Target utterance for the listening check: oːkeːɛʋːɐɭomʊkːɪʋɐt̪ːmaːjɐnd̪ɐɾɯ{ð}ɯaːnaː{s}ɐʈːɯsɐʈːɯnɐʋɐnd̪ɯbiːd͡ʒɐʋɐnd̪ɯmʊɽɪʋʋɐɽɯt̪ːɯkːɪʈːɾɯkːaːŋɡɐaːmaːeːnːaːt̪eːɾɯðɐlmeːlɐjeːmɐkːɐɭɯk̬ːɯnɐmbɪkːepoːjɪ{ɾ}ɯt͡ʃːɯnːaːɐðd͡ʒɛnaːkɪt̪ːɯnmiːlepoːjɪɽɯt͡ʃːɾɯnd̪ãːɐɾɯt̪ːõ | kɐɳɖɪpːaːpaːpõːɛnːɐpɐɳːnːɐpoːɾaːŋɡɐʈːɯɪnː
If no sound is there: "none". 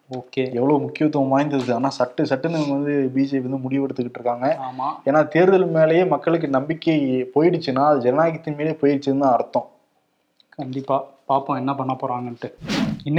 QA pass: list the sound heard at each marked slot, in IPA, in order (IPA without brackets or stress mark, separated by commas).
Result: ð, s, ɽ